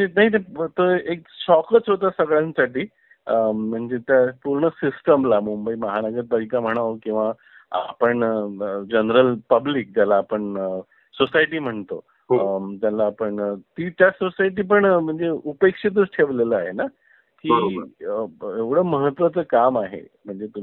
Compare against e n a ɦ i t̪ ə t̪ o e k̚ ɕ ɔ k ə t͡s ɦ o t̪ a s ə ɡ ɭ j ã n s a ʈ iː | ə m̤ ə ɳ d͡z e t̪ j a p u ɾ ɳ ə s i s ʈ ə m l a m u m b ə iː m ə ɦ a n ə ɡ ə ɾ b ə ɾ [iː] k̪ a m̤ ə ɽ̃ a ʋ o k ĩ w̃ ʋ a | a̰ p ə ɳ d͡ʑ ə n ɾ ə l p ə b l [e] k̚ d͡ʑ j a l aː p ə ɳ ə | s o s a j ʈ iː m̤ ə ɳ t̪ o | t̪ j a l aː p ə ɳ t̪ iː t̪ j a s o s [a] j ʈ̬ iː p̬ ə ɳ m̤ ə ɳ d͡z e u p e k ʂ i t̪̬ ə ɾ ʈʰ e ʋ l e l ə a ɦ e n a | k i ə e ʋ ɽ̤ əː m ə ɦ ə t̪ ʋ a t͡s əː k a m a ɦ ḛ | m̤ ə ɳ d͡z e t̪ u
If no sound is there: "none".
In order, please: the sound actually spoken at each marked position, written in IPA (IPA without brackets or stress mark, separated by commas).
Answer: i, i, a